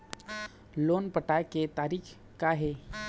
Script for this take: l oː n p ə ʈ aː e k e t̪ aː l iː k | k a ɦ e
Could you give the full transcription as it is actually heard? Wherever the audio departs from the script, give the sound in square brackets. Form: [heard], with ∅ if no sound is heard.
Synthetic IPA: l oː n p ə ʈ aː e k e t̪ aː [ɾ] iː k | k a ɦ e